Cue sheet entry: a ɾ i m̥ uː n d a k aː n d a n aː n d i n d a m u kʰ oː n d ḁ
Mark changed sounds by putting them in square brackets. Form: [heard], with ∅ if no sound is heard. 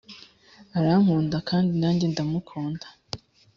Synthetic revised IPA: a ɾ [a] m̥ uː n d a k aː n d [i] n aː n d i n d a m u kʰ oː n d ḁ